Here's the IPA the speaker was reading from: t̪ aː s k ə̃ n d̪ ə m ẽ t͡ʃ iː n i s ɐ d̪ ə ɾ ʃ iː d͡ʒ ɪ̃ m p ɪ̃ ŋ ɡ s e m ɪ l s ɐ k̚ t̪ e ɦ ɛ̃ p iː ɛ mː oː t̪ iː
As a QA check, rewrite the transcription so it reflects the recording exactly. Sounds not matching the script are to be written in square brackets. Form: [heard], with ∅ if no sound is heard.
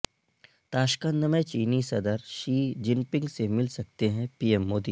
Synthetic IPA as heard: t̪ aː [ʃ] k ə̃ n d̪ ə m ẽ t͡ʃ iː n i s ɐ d̪ ə ɾ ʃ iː d͡ʒ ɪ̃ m p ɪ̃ ŋ ɡ s e m ɪ l s ɐ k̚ t̪ e ɦ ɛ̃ p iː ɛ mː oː [d̪] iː